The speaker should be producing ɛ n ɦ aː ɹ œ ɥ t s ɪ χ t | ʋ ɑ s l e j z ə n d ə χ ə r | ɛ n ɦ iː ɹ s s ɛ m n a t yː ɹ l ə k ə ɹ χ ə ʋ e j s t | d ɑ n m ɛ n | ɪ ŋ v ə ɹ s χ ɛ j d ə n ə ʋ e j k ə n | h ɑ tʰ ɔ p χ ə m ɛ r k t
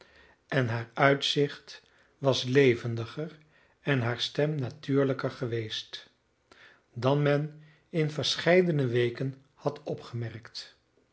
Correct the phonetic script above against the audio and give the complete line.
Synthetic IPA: ɛ n ɦ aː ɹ œ ɥ t s ɪ χ t | ʋ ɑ s l e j v ə n d ə χ ə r | ɛ n ɦ aː ɹ s t ɛ m n a t yː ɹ l ə k ə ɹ χ ə ʋ e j s t | d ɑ n m ɛ n | ɪ n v ə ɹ s χ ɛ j d ə n ə ʋ e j k ə n | h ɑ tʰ ɔ p χ ə m ɛ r k t